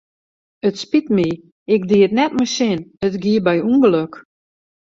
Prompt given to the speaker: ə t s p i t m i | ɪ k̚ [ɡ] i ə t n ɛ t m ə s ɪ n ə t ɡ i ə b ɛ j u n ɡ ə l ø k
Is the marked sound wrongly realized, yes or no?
yes